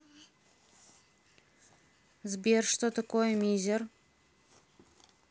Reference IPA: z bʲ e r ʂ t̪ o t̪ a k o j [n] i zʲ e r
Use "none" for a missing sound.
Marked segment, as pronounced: m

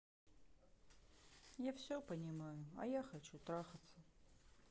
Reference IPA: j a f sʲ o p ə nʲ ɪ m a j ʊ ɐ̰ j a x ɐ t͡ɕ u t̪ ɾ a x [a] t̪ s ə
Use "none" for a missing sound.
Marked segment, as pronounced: ə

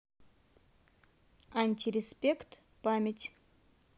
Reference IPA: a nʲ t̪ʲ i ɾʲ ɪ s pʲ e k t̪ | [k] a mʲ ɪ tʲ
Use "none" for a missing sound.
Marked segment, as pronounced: p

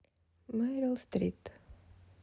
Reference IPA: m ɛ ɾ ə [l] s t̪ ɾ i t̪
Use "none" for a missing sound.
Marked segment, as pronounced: l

